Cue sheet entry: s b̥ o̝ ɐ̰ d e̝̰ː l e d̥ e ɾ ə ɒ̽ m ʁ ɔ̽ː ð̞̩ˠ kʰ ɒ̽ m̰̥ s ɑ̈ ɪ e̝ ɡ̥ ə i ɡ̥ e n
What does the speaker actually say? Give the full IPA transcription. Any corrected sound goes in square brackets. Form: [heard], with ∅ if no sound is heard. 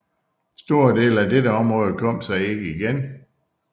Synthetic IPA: s [d̥] o̝ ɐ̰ d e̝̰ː l [æ] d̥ e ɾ ə ɒ̽ m ʁ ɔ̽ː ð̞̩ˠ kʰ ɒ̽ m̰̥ s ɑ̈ ɪ e̝ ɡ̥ ə i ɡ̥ e n